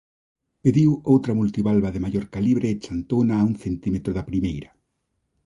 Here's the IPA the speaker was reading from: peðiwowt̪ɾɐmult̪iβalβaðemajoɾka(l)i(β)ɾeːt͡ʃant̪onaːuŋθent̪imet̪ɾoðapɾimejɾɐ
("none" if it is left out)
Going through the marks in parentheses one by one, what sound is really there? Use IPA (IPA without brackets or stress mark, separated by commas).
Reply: l, β